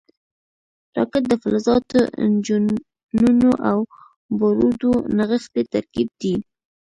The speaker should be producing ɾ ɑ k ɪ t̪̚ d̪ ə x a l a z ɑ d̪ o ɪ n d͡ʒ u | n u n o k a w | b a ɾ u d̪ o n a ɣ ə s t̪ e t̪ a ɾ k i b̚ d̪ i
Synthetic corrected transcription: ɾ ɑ k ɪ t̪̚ d̪ ə f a l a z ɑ t̪ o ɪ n d͡ʒ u | n u n o ʔ a w | b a ɾ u d̪ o n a ɣ ə x t̪ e t̪ a ɾ k i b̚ d̪ i